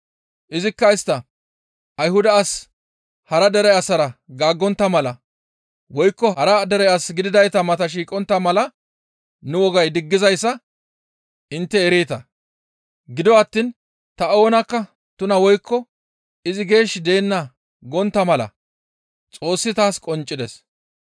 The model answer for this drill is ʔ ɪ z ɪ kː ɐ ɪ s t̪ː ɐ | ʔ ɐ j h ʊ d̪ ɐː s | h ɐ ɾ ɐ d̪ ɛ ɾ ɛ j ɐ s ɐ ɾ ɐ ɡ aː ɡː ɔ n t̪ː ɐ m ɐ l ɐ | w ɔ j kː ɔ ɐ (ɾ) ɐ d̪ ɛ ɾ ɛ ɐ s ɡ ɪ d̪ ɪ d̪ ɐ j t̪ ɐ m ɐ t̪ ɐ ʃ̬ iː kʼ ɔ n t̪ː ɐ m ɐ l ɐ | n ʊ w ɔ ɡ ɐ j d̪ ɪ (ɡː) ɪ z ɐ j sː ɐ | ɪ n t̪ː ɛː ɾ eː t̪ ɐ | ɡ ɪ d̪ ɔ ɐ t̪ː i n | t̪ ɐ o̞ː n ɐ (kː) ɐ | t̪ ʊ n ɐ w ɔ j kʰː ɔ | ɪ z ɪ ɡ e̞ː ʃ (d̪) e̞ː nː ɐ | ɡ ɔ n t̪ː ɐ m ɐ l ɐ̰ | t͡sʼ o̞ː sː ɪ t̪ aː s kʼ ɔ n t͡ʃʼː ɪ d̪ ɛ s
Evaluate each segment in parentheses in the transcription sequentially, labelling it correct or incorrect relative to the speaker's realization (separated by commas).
correct, correct, correct, correct